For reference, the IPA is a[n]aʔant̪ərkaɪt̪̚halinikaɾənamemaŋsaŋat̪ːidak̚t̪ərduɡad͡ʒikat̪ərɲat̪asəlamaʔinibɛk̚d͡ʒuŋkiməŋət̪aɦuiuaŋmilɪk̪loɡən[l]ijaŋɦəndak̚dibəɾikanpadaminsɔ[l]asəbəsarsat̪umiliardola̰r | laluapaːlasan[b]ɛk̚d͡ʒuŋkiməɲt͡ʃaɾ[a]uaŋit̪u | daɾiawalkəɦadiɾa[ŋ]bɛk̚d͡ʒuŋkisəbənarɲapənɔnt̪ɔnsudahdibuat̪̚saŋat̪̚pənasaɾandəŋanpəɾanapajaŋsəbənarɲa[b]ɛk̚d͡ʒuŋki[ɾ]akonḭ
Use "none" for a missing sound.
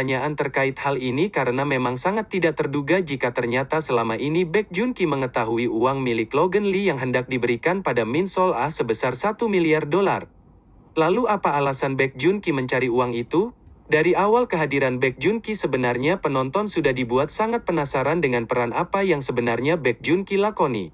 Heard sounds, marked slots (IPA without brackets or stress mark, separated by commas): ɲ, l, l, b, i, n, b, l